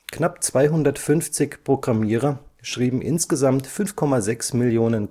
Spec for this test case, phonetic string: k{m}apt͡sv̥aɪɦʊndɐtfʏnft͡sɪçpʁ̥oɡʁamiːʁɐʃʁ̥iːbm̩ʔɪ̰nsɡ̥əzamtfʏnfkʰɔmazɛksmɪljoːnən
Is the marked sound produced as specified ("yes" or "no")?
no